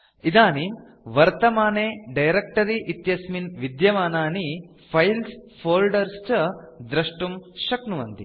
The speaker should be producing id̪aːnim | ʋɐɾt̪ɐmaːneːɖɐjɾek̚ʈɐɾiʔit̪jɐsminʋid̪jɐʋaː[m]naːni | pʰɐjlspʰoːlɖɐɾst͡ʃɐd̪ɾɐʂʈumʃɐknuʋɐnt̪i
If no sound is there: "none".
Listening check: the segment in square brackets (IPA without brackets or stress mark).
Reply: none